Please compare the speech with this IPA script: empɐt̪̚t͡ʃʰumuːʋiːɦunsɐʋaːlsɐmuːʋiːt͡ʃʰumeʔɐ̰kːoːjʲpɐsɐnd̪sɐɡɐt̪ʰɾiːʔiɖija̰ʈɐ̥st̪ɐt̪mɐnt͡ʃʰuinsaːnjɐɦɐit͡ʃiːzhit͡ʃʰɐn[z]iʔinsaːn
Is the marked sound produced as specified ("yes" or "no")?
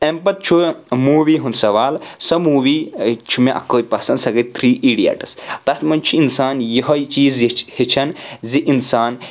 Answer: yes